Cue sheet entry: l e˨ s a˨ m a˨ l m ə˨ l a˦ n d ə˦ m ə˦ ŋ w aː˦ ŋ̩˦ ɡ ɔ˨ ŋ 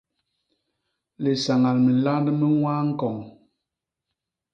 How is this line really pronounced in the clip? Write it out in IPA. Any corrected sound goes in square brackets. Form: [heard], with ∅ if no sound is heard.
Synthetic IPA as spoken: l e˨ s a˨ [ŋ] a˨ l m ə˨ l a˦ n d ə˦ m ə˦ ŋ w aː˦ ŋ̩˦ [k] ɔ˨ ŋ